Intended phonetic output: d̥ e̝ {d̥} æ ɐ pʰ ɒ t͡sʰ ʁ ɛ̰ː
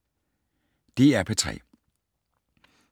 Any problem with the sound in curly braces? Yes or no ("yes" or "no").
yes